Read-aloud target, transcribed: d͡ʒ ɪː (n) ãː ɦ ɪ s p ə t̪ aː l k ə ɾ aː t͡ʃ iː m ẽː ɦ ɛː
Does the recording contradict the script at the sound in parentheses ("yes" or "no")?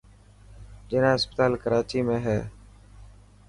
no